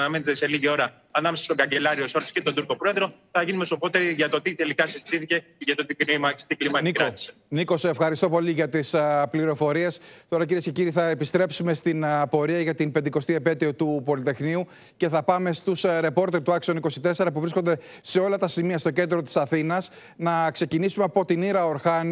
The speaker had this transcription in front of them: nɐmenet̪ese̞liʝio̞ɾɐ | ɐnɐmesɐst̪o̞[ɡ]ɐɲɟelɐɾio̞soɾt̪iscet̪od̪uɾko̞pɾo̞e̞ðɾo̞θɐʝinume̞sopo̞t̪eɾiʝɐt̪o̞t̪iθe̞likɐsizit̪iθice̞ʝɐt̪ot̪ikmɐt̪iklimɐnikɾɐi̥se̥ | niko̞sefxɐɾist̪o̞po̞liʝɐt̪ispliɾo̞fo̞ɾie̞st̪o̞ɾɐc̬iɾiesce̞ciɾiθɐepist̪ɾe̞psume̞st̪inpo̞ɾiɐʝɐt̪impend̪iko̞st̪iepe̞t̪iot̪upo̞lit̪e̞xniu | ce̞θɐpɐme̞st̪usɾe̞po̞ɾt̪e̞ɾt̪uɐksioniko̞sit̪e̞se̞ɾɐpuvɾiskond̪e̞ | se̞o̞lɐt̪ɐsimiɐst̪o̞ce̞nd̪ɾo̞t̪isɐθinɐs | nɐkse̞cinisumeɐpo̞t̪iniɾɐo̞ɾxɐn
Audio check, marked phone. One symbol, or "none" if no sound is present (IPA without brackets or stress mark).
ɡ